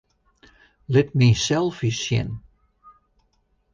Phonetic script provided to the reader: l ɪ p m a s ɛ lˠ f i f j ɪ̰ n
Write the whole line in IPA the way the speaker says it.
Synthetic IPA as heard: l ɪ t m i s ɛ lˠ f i s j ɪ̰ n